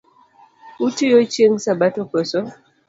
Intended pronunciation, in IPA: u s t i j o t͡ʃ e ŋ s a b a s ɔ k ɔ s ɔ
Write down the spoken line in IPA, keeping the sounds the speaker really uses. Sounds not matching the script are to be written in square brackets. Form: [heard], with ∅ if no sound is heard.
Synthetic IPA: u [∅] t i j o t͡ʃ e ŋ s a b a [t] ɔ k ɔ s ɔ

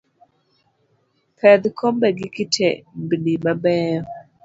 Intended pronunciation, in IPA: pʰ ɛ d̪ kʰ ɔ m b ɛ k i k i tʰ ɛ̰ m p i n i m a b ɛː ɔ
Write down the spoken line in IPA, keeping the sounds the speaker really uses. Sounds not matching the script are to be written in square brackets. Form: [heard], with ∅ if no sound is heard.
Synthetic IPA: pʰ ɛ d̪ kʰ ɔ m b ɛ [ɡ] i k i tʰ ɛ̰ m [b] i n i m a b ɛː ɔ

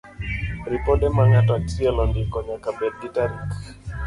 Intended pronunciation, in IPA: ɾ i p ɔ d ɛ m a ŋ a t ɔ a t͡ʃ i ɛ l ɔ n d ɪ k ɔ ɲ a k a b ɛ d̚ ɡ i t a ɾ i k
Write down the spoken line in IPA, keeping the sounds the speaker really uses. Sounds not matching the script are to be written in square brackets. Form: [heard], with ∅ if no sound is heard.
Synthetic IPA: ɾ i p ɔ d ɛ m a ŋ a t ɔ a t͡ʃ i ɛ l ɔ n d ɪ k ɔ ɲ a k a b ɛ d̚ ɡ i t a ɾ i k

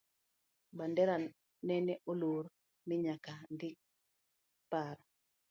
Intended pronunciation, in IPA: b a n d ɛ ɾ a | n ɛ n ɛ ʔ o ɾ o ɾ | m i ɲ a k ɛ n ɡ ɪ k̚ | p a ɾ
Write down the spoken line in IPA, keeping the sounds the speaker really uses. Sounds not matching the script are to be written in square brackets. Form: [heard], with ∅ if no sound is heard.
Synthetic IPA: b a n d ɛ ɾ a | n ɛ n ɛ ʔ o [l] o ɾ | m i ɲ a k [a] n [d] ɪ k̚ | p a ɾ

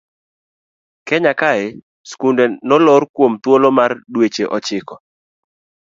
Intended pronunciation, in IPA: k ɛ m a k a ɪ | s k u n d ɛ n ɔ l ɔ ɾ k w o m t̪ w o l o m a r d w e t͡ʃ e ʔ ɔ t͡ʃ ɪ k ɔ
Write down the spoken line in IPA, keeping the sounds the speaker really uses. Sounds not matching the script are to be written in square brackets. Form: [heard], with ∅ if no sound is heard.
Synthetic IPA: k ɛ [ɲ] a k a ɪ | s k u n d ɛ n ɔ l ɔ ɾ k w o m t̪ w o l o m a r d w e t͡ʃ e ʔ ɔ t͡ʃ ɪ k ɔ

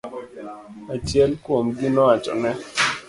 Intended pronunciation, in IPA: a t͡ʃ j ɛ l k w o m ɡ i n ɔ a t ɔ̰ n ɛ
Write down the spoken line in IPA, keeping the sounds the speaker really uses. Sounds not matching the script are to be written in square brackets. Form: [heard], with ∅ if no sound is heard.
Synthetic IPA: a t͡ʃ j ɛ l k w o m ɡ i n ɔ a [t͡ʃ] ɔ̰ n ɛ

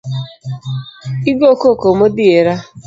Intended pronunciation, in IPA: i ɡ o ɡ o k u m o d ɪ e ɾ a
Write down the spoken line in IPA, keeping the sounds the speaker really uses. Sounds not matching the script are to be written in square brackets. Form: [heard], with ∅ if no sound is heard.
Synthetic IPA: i ɡ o [k] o k [o] m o d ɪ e ɾ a

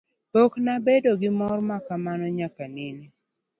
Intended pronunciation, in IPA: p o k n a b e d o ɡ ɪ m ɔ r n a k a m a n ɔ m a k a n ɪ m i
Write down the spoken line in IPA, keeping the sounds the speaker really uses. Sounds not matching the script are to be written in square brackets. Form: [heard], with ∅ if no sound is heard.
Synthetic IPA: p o k n a b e d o ɡ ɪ m ɔ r [m] a k a m a n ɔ [ɲ] a k a n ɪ [n] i

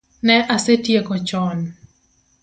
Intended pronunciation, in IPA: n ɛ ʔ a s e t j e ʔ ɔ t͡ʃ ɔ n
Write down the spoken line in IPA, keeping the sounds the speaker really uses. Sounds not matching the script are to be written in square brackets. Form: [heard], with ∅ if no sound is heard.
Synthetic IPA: n ɛ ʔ a s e t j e [k] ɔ t͡ʃ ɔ n

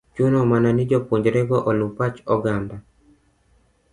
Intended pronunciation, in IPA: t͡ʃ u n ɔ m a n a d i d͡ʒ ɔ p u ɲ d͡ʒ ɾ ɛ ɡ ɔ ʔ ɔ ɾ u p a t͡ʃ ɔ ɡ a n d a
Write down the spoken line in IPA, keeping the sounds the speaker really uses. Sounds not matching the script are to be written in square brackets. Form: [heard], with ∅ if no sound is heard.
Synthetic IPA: t͡ʃ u n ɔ m a n a [n] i d͡ʒ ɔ p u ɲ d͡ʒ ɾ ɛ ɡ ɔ ʔ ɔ [l] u p a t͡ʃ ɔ ɡ a n d a

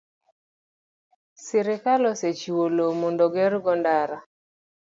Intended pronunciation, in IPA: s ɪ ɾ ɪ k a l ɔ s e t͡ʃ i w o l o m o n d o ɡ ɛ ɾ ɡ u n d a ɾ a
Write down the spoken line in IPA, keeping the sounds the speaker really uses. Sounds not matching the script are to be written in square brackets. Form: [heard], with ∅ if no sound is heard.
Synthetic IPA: s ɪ ɾ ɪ k a l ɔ s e t͡ʃ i w o l o m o n d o ɡ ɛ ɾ ɡ [ɔ] n d a ɾ a

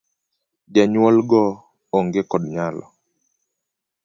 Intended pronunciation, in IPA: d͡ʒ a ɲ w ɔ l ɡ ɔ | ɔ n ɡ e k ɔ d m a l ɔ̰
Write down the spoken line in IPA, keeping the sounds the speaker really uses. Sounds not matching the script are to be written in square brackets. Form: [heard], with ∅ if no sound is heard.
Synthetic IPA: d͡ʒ a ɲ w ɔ l ɡ ɔ | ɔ [ŋ] ɡ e k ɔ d [ɲ] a l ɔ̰

